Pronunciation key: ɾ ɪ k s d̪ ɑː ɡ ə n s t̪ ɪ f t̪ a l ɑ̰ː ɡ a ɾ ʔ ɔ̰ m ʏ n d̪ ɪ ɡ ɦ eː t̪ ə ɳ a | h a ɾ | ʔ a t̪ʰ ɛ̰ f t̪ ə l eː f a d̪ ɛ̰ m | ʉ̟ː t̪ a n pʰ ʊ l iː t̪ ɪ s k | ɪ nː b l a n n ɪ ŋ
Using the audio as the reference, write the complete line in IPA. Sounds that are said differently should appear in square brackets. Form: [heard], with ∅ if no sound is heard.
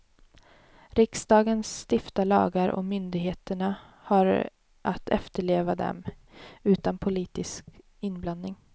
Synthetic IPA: ɾ ɪ k s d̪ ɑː ɡ ə n s t̪ ɪ f t̪ a l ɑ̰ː ɡ a ɾ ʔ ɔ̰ m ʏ n d̪ ɪ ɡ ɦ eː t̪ ə ɳ a | h a ɾ | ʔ a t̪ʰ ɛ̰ f t̪ ə [ɭ] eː [v] a d̪ ɛ̰ m | ʉ̟ː t̪ a n pʰ ʊ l iː t̪ ɪ s k | ɪ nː b l a n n ɪ ŋ

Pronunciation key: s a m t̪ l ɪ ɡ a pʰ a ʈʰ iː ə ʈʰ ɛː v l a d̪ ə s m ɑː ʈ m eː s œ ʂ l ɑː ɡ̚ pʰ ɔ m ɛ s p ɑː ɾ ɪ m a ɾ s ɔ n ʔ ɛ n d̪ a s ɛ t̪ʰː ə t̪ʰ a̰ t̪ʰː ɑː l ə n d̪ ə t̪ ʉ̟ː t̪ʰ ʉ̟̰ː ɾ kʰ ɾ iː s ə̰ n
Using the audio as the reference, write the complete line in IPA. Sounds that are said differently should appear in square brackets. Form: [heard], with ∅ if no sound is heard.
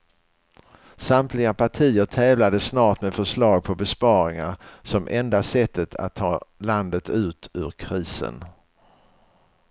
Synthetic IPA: s a m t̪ l ɪ ɡ a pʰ a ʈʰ iː ə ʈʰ ɛː v l a d̪ ə s [n] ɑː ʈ m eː [f] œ ʂ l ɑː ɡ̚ pʰ ɔ [b] ɛ s p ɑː ɾ ɪ [ŋ] a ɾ s ɔ [m] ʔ ɛ n d̪ a s ɛ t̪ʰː ə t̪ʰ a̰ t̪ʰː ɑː l [a] n d̪ ə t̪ ʉ̟ː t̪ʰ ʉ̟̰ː ɾ kʰ ɾ iː s ə̰ n

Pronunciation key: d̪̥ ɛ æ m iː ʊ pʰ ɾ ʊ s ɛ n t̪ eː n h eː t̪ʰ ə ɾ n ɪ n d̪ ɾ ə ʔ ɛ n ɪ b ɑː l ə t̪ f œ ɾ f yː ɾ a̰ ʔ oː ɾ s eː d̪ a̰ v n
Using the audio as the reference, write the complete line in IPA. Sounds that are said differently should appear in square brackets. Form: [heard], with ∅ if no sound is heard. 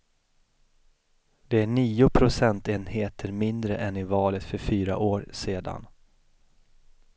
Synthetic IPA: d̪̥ ɛ æ [ɳ] iː ʊ pʰ ɾ ʊ s ɛ n t̪ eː n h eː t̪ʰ ə ɾ [m] ɪ n d̪ ɾ ə ʔ ɛ n ɪ [v] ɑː l ə t̪ f œ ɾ f yː ɾ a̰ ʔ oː ɾ s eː d̪ a̰ [∅] n

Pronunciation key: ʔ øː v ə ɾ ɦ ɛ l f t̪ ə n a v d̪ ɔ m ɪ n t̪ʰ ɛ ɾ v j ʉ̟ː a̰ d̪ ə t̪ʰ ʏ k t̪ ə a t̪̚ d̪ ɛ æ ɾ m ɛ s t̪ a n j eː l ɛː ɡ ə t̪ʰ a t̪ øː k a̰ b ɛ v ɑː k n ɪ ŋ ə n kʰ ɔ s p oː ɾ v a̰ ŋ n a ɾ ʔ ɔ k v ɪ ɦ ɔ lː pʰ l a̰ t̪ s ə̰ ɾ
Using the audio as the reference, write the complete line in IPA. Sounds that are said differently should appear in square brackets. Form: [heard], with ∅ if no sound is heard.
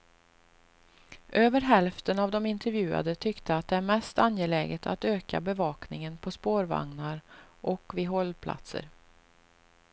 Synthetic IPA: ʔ øː v ə ɾ ɦ ɛ l f t̪ ə n a v d̪ ɔ m ɪ n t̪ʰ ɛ ɾ v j ʉ̟ː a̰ d̪ ə t̪ʰ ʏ k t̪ ə a t̪̚ d̪ ɛ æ ɾ m ɛ s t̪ a n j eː l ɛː ɡ ə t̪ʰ a t̪ øː k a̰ b ɛ v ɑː k n ɪ ŋ ə n [pʰ] ɔ s p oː ɾ v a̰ ŋ n a ɾ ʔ ɔ k v ɪ ɦ ɔ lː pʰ l a̰ t̪ s ə̰ ɾ

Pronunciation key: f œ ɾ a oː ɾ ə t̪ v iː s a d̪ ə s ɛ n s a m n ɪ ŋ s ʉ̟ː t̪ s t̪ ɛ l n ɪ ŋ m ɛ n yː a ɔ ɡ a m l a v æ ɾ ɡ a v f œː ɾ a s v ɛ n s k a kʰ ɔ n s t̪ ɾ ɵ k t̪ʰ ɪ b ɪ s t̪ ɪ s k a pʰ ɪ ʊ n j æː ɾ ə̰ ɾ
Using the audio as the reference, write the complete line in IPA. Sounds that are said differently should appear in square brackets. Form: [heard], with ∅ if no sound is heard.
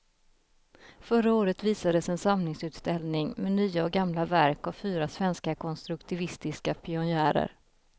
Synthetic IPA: f œ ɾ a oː ɾ ə t̪ v iː s a d̪ ə s ɛ n s a m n ɪ ŋ s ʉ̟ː t̪ s t̪ ɛ l n ɪ ŋ m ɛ n yː a ɔ ɡ a m l a v æ ɾ [k] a v f [yː] ɾ a s v ɛ n s k a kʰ ɔ n s t̪ ɾ ɵ k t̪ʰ ɪ [v] ɪ s t̪ ɪ s k a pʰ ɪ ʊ n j æː ɾ ə̰ ɾ

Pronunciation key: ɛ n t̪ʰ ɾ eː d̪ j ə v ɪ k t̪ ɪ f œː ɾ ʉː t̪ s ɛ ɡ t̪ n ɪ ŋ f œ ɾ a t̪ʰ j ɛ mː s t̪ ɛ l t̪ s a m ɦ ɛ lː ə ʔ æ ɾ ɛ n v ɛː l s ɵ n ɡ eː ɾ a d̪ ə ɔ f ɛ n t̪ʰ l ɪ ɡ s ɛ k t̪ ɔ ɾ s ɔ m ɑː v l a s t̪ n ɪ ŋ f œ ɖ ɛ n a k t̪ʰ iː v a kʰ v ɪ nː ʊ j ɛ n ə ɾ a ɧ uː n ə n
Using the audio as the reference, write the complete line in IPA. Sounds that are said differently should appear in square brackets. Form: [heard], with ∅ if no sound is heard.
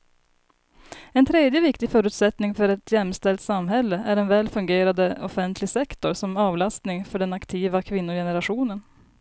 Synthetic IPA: ɛ n t̪ʰ ɾ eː d̪ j ə v ɪ k t̪ ɪ f œː ɾ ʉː t̪ s ɛ [∅] t̪ n ɪ ŋ f œ ɾ [ɛ] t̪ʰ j ɛ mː s t̪ ɛ l t̪ s a m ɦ ɛ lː ə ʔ æ ɾ ɛ n v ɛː l [f] ɵ [ŋ] ɡ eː ɾ a d̪ ə ɔ f ɛ n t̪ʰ l ɪ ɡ s ɛ k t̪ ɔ ɾ s ɔ m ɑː v l a s t̪ n ɪ ŋ f œ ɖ ɛ n a k t̪ʰ iː v a kʰ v ɪ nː ʊ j ɛ n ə ɾ a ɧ uː n ə n

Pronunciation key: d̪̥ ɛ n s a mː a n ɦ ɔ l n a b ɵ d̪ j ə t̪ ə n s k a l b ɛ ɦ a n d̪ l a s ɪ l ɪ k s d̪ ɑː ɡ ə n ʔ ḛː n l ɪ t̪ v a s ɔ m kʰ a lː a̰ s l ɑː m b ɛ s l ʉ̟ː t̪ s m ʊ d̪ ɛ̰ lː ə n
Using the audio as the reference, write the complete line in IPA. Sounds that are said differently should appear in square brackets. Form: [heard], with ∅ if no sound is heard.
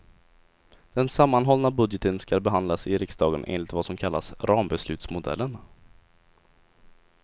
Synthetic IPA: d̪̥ ɛ n s a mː a n ɦ ɔ l n a b ɵ d̪ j ə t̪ ə n s k a l b ɛ ɦ a n d̪ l a s ɪ [ɾ] ɪ k s d̪ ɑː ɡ ə n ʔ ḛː n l ɪ t̪ v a s ɔ m kʰ a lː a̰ s [ɾ] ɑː m b ɛ s l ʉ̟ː t̪ s m ʊ d̪ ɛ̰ lː ə n

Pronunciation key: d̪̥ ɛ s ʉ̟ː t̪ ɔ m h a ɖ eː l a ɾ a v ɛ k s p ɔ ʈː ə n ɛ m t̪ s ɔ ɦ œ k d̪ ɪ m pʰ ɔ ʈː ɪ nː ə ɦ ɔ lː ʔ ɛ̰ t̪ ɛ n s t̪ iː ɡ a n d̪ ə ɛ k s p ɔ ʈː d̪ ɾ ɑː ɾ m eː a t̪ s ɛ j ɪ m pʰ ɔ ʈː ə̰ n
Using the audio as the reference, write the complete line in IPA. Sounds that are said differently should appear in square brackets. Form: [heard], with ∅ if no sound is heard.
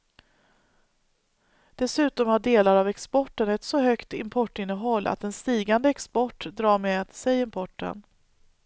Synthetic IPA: d̪̥ ɛ s ʉ̟ː t̪ ɔ m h a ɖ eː l a ɾ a v ɛ k s p ɔ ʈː ə n ɛ [∅] t̪ s ɔ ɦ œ k [t̪] ɪ m pʰ ɔ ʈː ɪ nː ə ɦ ɔ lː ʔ [a̰] t̪ ɛ n s t̪ iː ɡ a n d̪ ə ɛ k s p ɔ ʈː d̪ ɾ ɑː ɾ m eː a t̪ s ɛ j ɪ m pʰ ɔ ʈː ə̰ n

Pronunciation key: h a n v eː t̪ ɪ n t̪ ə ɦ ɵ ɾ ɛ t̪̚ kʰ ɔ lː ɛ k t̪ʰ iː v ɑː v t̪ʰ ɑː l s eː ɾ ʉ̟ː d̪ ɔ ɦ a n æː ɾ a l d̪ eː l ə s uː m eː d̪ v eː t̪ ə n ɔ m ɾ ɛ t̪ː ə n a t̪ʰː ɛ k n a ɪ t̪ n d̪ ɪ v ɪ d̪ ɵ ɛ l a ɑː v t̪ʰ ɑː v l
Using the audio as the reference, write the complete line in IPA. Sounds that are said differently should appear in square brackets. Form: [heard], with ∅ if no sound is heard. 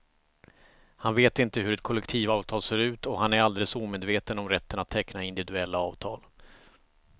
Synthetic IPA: h a n v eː t̪ ɪ n t̪ ə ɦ ɵ ɾ ɛ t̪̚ kʰ ɔ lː ɛ k t̪ʰ iː v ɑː v t̪ʰ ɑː l s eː ɾ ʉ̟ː [t̪] ɔ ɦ a n [æ] ɾ a l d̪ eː l ə s uː m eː d̪ v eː t̪ ə n ɔ m ɾ ɛ t̪ː ə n a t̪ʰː ɛ k n a ɪ [∅] n d̪ ɪ v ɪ d̪ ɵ ɛ [lː] a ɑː v t̪ʰ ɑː [∅] l

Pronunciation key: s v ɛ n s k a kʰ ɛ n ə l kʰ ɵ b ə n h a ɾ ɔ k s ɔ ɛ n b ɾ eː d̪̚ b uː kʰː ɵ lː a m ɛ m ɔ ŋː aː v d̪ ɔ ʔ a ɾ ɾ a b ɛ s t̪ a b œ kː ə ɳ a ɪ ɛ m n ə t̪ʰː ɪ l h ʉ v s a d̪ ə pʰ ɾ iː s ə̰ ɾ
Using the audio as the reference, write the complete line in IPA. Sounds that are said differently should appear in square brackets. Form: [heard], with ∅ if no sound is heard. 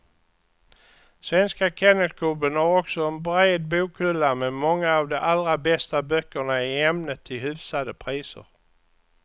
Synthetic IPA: s v ɛ n s k a kʰ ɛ n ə l kʰ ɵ b ə n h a ɾ ɔ k s ɔ ɛ n b ɾ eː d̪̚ b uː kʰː ɵ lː a m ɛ m ɔ ŋː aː v d̪ ɔ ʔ a [l] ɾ a b ɛ s t̪ a b œ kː ə ɳ a ɪ ɛ m n ə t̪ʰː ɪ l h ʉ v s a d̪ ə pʰ ɾ iː s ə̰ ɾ

